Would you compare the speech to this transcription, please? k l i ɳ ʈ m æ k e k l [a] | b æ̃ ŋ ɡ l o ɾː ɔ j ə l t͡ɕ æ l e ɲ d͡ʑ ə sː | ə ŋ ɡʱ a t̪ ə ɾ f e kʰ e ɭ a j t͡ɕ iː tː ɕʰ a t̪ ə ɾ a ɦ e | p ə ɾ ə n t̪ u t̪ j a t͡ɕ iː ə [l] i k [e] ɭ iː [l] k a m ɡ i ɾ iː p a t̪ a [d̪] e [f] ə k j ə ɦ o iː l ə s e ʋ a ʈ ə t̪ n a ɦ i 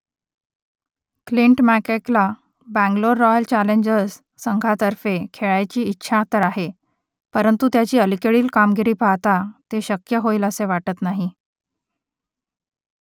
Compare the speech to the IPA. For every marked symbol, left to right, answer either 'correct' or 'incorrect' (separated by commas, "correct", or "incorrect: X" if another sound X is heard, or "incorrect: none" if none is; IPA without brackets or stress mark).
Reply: correct, correct, correct, correct, incorrect: t̪, incorrect: ɕ